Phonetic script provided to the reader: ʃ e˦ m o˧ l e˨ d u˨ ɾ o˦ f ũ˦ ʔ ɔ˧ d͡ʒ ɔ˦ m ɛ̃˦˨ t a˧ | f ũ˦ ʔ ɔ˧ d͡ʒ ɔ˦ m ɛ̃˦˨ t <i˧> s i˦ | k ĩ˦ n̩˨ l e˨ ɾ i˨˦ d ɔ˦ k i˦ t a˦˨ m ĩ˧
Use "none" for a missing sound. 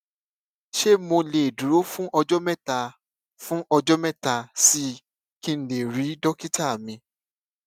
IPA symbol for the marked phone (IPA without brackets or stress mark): a˧